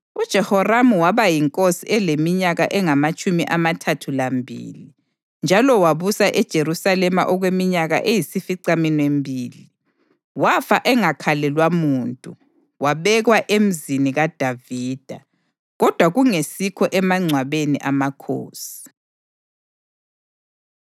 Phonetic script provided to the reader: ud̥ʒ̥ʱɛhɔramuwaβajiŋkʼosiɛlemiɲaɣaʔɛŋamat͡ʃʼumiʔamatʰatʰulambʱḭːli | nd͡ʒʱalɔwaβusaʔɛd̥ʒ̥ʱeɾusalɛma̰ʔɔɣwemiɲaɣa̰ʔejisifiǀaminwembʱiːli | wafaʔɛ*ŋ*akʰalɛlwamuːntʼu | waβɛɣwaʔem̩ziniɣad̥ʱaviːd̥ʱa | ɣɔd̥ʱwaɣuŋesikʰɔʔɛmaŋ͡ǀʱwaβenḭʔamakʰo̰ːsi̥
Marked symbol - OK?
yes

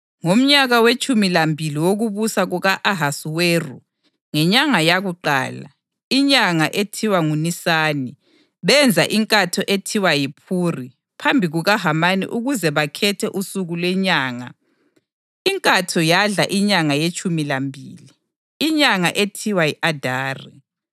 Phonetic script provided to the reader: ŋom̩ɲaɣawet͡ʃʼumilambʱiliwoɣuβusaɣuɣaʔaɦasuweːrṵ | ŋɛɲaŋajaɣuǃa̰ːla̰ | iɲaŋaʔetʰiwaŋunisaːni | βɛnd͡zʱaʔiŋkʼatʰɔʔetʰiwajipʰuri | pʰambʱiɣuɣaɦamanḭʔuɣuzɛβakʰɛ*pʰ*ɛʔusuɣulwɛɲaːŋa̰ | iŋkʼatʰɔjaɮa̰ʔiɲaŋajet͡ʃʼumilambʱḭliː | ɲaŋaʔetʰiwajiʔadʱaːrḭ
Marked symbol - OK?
no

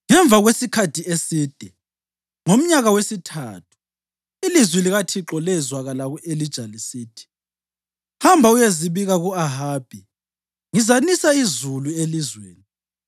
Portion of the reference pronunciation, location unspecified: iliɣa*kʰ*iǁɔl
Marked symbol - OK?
no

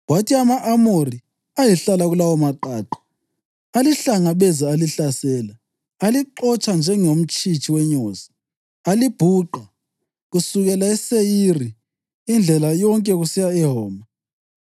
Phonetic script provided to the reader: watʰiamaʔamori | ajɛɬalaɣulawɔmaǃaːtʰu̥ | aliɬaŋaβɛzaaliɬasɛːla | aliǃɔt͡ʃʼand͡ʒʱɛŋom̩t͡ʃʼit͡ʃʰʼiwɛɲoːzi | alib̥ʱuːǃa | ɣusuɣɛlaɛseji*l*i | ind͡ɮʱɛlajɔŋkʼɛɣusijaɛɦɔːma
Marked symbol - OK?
no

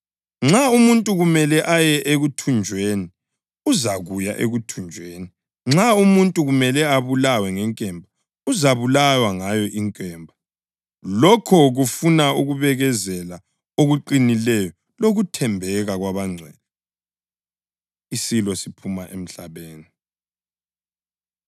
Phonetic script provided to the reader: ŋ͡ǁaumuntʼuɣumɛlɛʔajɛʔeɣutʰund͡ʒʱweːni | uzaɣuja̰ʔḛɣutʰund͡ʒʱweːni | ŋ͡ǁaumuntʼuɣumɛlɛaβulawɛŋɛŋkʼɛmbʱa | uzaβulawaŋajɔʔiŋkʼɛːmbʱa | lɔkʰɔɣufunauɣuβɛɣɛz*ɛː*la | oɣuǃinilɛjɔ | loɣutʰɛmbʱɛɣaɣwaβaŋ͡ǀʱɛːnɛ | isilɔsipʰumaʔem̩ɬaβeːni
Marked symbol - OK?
no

